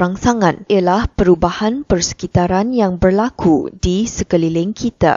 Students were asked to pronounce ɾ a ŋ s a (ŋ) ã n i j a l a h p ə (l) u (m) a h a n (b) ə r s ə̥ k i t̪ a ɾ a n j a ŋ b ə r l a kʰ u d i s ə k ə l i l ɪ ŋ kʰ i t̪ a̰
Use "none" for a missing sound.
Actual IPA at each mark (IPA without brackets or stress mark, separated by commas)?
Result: ŋ, ɾ, b, p